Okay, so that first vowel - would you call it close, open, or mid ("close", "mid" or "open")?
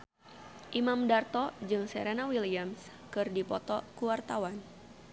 close